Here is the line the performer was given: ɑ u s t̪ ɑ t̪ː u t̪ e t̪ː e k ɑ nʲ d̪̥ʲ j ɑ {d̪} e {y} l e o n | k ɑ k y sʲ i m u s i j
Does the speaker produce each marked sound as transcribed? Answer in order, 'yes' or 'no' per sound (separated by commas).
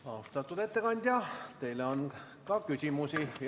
no, no